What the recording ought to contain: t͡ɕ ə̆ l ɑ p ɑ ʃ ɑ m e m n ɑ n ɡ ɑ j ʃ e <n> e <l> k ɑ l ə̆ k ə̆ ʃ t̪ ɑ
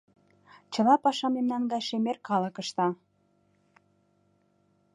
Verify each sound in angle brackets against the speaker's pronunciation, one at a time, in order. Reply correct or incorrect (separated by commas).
incorrect, incorrect